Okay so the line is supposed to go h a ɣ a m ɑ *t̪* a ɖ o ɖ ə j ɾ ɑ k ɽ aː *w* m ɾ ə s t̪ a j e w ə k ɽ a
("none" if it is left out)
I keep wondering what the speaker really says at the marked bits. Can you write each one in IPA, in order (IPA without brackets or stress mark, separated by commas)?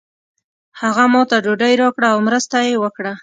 t̪, w